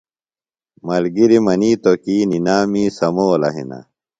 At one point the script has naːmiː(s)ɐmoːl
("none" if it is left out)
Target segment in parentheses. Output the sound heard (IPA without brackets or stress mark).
s